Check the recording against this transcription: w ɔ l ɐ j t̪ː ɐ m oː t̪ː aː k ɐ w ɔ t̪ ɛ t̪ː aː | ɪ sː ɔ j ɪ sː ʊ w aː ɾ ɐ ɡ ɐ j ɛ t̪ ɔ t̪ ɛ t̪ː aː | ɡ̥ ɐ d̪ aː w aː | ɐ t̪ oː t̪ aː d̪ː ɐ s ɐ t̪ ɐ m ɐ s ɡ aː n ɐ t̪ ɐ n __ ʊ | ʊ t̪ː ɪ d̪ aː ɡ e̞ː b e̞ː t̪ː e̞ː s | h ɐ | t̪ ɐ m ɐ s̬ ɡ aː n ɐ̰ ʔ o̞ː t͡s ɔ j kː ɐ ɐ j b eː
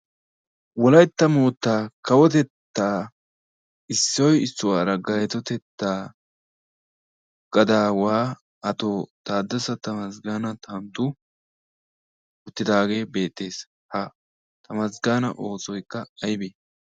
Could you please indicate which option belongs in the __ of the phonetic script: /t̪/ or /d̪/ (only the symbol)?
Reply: t̪